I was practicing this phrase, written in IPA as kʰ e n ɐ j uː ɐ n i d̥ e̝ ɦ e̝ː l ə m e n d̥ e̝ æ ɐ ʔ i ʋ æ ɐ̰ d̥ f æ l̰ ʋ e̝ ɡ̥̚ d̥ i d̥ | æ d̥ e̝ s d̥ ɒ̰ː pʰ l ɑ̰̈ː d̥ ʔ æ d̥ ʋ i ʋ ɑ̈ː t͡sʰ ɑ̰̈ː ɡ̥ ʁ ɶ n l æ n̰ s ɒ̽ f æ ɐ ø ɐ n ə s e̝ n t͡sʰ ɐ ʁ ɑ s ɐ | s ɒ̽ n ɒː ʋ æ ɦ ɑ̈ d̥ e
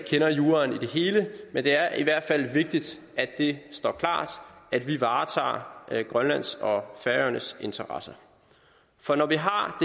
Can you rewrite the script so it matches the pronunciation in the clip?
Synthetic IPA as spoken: kʰ e n ɐ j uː ɐ n i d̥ e̝ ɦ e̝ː l ə m e n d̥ e̝ æ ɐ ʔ i ʋ æ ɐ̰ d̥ f æ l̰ ʋ e̝ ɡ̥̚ d̥ i d̥ | æ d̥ e̝ s d̥ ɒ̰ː kʰ l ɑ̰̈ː d̥ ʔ æ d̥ ʋ i ʋ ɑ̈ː t͡sʰ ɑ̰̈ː ɡ̥ ʁ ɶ n l æ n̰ s ɒ̽ f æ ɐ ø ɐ n ə s e̝ n t͡sʰ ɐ ʁ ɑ s ɐ | f ɒ̽ n ɒ ʋ i ɦ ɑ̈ d̥ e